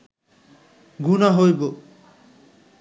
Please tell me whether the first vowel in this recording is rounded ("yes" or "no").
yes